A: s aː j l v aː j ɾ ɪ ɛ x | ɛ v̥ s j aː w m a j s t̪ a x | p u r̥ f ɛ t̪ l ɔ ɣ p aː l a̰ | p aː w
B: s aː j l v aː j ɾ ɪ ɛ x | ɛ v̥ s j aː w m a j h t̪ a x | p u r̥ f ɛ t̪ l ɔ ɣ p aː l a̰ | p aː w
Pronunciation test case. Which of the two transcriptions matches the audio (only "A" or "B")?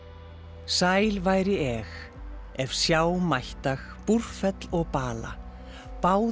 B